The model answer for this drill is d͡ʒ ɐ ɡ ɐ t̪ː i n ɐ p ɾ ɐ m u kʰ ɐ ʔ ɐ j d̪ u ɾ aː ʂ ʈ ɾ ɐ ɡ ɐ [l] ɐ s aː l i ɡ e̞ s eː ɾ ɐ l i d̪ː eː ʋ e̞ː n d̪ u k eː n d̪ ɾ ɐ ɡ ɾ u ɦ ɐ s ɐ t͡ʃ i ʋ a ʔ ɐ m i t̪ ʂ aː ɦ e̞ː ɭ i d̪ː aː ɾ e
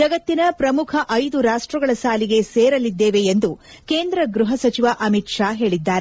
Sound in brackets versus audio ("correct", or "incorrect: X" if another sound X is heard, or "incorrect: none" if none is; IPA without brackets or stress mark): incorrect: ɭ